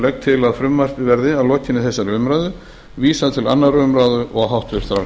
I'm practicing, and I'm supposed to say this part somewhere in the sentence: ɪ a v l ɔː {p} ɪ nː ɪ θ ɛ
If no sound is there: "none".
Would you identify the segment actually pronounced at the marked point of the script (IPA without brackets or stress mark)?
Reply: c